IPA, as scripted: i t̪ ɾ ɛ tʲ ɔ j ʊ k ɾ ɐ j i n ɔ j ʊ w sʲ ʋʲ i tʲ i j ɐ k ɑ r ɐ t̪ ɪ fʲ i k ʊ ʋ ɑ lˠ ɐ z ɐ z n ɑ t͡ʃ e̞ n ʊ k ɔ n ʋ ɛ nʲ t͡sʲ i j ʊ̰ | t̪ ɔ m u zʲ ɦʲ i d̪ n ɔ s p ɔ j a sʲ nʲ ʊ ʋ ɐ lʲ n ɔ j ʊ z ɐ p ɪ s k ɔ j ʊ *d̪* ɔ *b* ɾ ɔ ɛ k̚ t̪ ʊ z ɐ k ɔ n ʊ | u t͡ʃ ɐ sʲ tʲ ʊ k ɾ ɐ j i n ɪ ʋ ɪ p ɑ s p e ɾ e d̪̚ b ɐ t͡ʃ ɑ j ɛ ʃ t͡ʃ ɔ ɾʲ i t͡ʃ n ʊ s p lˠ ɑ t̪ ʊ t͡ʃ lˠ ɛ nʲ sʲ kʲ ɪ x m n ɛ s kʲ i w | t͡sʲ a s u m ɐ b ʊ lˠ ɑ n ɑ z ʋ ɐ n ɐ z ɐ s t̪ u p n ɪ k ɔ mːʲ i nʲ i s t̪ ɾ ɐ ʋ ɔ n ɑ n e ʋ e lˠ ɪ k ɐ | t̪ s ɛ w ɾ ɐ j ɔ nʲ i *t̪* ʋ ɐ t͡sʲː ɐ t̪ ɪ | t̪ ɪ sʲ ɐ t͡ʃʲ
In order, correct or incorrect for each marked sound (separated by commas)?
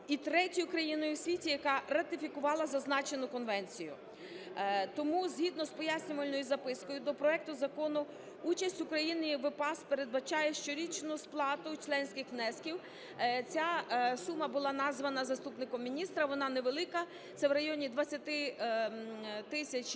correct, incorrect, incorrect